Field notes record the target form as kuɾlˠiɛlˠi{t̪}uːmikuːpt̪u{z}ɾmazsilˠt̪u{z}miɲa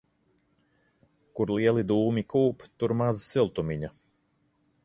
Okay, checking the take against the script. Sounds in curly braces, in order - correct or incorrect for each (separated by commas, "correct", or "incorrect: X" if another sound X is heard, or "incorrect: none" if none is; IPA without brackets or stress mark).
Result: incorrect: d̪, incorrect: none, incorrect: none